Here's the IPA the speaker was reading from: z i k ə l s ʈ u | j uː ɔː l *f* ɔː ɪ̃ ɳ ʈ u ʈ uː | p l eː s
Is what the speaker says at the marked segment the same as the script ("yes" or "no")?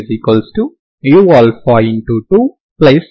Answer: yes